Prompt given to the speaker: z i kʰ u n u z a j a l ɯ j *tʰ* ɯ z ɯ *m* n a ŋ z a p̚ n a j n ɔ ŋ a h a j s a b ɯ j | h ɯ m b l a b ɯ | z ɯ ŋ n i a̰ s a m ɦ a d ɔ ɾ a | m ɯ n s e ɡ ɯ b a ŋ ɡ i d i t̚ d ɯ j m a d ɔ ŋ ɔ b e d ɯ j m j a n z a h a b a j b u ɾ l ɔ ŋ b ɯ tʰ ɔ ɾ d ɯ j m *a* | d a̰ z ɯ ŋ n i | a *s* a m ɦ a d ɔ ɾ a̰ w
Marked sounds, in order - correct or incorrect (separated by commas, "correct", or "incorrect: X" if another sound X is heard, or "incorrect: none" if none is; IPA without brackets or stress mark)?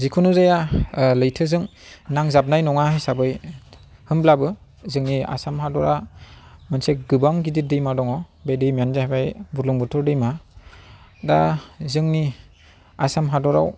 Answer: correct, incorrect: ŋ, correct, correct